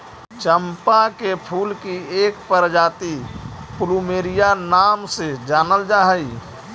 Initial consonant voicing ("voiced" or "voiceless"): voiceless